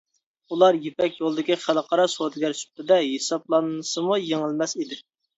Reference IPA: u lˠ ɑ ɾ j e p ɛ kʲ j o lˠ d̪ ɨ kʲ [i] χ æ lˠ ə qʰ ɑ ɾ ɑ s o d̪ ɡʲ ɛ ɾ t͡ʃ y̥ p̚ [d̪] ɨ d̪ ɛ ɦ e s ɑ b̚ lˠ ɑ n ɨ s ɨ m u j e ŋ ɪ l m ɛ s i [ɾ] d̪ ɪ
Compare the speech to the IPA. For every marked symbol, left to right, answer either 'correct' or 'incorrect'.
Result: correct, incorrect, incorrect

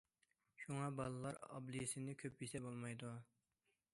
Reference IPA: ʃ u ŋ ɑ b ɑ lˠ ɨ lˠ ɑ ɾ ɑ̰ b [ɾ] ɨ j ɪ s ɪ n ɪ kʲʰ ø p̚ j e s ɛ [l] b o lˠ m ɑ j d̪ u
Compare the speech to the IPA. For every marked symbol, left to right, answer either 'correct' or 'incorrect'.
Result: incorrect, incorrect

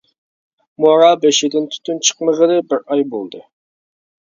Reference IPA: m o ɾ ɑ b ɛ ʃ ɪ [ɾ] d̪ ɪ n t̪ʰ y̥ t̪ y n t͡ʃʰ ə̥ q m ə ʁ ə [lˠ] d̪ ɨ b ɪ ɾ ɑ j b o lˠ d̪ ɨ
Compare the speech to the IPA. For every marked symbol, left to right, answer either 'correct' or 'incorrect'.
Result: incorrect, incorrect

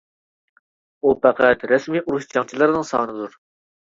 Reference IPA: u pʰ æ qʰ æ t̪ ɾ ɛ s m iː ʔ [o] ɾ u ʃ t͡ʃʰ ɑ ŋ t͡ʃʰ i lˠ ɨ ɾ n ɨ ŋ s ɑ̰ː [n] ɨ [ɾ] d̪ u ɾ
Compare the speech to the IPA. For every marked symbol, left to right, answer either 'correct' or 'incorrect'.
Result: incorrect, correct, incorrect

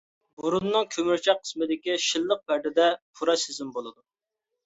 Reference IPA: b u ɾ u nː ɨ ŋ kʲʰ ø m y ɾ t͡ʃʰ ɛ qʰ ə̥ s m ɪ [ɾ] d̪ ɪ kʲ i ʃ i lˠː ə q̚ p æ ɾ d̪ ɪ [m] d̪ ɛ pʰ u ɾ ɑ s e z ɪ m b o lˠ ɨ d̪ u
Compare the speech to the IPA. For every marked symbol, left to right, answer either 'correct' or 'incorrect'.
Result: incorrect, incorrect

